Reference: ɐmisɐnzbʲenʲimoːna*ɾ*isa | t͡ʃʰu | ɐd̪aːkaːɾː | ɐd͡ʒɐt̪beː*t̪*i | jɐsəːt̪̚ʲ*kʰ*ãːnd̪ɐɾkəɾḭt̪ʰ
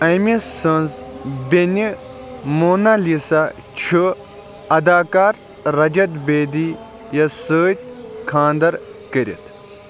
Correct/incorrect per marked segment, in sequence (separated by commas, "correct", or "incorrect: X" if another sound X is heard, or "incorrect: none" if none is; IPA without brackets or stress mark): incorrect: l, incorrect: d̪, correct